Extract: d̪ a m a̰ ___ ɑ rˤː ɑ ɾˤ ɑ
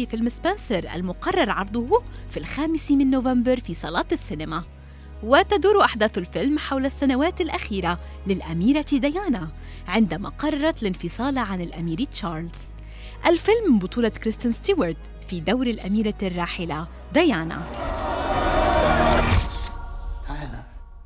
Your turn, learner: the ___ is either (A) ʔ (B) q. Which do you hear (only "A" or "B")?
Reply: B